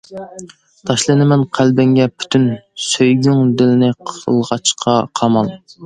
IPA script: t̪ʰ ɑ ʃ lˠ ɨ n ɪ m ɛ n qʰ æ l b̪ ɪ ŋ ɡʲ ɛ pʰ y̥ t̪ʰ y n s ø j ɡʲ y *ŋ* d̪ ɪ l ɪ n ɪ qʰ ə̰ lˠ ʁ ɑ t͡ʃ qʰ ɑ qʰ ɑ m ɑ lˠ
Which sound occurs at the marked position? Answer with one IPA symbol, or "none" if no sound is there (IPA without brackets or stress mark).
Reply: ŋ